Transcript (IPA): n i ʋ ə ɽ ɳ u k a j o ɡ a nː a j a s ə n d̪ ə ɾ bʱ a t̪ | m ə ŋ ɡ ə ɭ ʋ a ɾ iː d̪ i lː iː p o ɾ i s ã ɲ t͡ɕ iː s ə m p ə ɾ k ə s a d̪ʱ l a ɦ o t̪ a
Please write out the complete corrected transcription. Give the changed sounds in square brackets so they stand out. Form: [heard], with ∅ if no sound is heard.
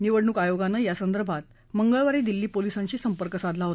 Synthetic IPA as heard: n i ʋ ə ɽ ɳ u k a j o ɡ a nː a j a s ə n d̪ ə ɾ bʱ a t̪ | m ə ŋ ɡ ə ɭ ʋ a ɾ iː d̪ i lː iː p o [l] i s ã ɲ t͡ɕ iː s ə m p ə ɾ k ə s a d̪ʱ l a ɦ o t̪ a